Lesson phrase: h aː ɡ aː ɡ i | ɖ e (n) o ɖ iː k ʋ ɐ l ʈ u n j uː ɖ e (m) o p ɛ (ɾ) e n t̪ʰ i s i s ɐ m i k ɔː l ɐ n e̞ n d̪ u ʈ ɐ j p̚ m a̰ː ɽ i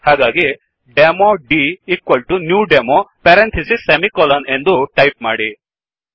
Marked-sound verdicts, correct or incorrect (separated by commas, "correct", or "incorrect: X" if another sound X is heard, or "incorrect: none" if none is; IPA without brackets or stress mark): incorrect: m, correct, correct